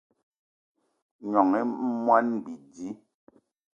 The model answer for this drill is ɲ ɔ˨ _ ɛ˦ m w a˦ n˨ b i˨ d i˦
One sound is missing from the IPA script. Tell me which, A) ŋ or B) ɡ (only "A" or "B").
A